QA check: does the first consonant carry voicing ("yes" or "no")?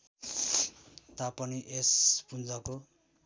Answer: no